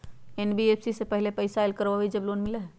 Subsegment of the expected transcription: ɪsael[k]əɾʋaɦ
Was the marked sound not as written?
no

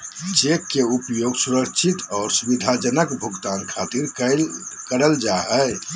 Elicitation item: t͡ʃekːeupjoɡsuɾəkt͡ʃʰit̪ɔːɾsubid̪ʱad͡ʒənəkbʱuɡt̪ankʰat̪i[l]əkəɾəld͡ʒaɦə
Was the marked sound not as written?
yes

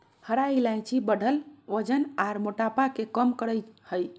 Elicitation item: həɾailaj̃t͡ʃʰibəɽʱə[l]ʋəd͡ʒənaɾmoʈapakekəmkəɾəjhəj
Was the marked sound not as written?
no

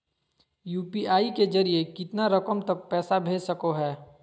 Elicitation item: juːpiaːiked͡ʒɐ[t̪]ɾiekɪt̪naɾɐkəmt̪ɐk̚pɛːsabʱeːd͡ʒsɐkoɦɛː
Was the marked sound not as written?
yes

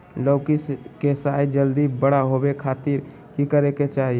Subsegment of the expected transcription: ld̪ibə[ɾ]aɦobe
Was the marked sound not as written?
yes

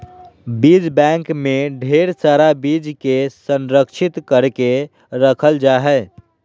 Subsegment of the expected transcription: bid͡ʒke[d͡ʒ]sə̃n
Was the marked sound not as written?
yes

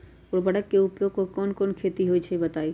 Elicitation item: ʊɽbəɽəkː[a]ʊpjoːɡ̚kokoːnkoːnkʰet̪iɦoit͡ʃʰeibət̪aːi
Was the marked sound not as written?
yes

